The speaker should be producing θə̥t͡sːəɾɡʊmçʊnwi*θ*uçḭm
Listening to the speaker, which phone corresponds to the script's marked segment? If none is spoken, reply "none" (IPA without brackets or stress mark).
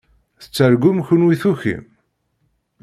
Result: θ